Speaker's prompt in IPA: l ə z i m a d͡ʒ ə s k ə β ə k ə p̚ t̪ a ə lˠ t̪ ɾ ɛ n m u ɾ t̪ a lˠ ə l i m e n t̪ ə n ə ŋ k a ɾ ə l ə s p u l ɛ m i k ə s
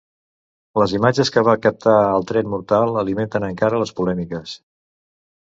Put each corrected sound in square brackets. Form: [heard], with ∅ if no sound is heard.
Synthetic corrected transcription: l ə z i m a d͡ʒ ə s k ə β [a] k ə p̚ t̪ a ə lˠ t̪ ɾ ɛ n m u ɾ t̪ a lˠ ə l i m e n t̪ ə n ə ŋ k a ɾ ə l ə s p u l ɛ m i k ə s